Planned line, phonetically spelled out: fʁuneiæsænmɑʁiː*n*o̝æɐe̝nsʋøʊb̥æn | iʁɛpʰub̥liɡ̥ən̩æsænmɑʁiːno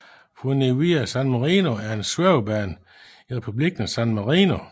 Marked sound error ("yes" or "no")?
no